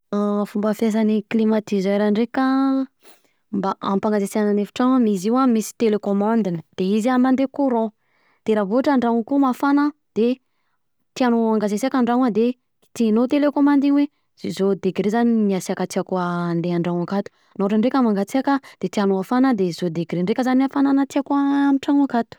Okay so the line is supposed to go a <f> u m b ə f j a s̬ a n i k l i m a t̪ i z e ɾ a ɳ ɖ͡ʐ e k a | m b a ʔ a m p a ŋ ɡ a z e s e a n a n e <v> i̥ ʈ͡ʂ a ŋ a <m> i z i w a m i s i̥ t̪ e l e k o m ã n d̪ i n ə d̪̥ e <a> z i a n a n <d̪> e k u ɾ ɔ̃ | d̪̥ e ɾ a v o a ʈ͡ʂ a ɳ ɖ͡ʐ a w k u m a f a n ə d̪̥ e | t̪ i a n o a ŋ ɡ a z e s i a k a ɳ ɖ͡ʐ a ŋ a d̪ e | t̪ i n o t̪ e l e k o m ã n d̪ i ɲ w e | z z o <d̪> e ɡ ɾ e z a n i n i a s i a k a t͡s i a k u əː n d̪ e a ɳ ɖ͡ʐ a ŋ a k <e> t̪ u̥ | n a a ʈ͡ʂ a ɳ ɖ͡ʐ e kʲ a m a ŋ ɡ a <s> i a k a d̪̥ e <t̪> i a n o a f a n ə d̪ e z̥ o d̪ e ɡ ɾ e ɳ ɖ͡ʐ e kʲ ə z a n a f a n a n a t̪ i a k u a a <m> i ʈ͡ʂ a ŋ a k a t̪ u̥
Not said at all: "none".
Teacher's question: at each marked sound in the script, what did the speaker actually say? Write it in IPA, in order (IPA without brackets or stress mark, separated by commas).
f, f, m, i, d̪, d̪, a, t͡s, t̪, m